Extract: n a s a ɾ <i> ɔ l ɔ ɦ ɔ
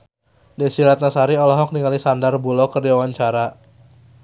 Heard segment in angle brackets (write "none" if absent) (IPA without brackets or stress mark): i